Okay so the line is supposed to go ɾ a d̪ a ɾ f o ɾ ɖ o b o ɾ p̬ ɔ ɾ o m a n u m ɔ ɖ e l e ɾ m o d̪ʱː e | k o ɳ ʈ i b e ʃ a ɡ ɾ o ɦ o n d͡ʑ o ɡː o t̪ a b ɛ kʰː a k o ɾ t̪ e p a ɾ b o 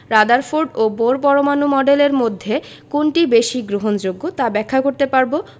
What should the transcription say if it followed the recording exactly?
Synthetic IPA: ɾ a d̪ a ɾ f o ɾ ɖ o b o ɾ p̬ ɔ ɾ o m a n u m ɔ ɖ e l e ɾ m o d̪ʱː e | k o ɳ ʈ i b e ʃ i ɡ ɾ o ɦ o n d͡ʑ o ɡː o t̪ a b ɛ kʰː a k o ɾ t̪ e p a ɾ b o